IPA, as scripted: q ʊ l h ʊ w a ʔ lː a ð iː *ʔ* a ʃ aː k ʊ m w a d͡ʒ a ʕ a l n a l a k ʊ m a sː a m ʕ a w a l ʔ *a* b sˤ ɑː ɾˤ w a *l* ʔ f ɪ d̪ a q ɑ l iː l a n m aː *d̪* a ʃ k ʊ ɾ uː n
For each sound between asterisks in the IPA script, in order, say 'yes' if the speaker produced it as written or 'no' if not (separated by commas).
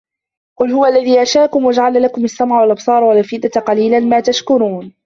yes, no, yes, no